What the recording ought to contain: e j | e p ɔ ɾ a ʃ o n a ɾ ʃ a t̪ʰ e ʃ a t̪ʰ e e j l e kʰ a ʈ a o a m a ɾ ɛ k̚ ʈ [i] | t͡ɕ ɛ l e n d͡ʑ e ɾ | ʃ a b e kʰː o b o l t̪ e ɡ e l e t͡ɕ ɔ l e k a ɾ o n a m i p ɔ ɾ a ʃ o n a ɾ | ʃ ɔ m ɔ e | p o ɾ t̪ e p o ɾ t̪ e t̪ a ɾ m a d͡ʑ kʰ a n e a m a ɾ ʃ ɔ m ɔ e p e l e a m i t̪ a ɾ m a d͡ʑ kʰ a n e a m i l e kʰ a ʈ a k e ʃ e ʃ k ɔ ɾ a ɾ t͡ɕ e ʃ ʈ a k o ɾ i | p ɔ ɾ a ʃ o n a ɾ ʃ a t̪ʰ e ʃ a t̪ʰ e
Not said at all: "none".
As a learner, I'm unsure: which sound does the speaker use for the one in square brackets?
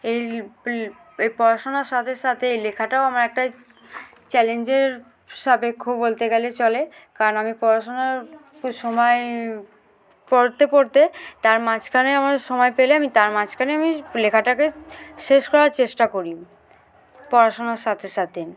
a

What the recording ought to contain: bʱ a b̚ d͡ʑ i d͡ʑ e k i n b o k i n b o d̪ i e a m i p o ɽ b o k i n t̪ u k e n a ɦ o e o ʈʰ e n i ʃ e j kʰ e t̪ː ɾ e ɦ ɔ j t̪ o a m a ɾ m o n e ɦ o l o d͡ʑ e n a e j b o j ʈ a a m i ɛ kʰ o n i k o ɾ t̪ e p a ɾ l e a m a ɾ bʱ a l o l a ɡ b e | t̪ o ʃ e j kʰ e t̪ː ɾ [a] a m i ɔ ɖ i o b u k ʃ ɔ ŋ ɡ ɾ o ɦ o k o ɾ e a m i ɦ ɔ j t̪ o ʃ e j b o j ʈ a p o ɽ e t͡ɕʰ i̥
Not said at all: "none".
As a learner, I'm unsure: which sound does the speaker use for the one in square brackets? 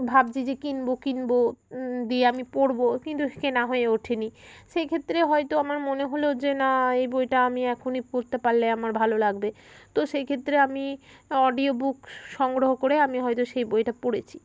e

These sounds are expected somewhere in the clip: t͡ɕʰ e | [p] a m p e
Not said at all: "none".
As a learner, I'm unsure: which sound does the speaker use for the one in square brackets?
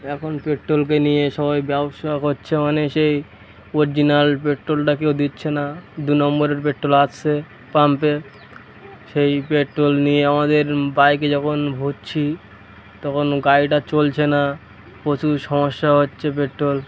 p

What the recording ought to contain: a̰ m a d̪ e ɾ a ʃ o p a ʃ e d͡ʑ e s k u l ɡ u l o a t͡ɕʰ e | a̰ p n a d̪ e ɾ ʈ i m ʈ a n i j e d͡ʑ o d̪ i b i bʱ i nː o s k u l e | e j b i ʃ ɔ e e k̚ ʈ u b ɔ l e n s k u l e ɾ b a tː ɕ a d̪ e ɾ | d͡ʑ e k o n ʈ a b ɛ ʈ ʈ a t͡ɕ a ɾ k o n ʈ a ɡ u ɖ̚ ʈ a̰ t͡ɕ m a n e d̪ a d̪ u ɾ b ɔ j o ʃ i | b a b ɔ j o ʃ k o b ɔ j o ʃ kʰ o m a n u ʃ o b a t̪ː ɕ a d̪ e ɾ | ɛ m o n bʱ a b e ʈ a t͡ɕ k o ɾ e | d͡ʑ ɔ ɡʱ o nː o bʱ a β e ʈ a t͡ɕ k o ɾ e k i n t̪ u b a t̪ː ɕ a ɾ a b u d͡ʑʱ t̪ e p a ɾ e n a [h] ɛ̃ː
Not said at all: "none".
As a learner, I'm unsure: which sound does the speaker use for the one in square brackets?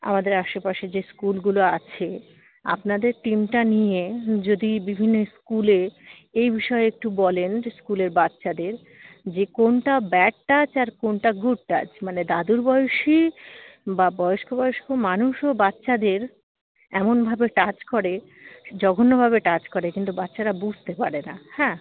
h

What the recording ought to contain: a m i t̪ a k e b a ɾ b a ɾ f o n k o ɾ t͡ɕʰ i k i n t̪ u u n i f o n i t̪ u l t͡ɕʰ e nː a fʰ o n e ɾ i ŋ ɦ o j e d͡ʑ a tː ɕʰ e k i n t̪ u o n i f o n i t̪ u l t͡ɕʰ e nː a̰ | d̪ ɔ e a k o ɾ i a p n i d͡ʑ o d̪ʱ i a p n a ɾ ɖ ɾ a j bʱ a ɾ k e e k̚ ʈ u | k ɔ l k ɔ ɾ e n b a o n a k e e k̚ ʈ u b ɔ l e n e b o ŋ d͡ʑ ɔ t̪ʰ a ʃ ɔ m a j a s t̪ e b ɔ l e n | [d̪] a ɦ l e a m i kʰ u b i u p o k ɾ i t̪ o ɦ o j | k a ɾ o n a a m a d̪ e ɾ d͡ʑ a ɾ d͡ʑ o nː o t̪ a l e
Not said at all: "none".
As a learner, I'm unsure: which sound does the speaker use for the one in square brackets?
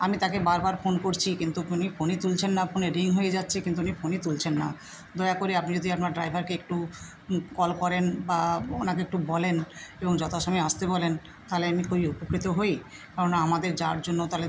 t̪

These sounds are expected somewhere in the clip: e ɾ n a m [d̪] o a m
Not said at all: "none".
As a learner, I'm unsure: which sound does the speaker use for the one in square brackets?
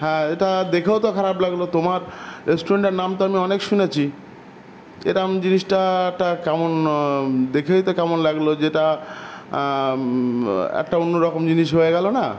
t̪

